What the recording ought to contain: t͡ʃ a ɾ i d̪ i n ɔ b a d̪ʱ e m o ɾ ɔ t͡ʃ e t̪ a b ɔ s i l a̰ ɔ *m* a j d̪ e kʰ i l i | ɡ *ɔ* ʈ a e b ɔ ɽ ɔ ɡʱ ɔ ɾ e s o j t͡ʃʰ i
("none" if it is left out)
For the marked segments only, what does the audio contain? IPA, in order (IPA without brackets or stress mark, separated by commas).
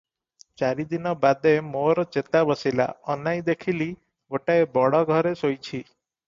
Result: n, o